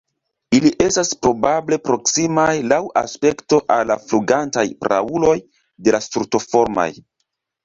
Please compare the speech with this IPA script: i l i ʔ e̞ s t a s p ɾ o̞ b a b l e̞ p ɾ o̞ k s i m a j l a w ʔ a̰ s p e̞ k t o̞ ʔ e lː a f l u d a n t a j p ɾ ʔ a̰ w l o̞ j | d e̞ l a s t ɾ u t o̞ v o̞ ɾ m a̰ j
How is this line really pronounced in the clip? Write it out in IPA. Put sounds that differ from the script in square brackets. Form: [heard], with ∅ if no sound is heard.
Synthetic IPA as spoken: i l i ʔ e̞ s t a s p ɾ o̞ b a b l e̞ p ɾ o̞ k s i m a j l a w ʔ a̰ s p e̞ k t o̞ ʔ [a] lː a f l u [ɡ] a n t a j p ɾ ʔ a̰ [u] l o̞ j | d e̞ l a s t ɾ u t o̞ [f] o̞ ɾ m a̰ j